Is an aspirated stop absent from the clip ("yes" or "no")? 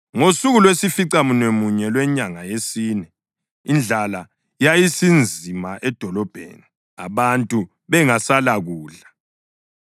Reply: yes